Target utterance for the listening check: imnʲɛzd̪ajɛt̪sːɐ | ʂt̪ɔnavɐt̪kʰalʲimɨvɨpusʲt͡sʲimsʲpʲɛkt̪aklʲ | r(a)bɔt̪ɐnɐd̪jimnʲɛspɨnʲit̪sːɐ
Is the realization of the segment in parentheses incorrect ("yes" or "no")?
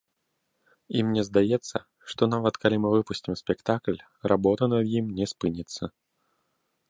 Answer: no